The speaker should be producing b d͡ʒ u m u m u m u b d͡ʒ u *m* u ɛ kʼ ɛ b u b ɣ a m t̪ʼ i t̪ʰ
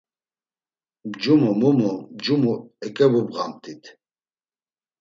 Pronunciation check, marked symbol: correct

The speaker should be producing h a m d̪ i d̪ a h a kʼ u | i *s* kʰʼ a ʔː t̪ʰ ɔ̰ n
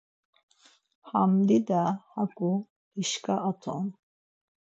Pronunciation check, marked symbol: incorrect: ʃ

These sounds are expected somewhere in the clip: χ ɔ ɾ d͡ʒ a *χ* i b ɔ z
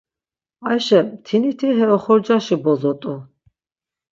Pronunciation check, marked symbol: incorrect: ʃ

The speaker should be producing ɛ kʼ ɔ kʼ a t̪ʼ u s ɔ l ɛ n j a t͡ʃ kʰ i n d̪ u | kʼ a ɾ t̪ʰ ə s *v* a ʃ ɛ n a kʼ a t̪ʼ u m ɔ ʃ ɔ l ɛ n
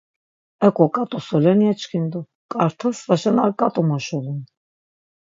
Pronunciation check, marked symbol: correct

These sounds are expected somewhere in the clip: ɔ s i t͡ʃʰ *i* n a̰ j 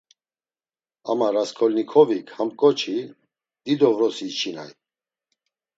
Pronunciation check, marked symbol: correct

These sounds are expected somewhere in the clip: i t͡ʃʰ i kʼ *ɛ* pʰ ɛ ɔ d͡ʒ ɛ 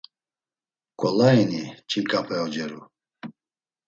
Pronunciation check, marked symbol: incorrect: a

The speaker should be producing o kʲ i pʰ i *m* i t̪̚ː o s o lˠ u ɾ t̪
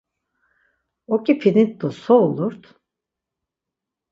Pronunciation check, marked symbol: incorrect: n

